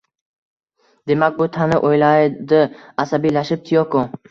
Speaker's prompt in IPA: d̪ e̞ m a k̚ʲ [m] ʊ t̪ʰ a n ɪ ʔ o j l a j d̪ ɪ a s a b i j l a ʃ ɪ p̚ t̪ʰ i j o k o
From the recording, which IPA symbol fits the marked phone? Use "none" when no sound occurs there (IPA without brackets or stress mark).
b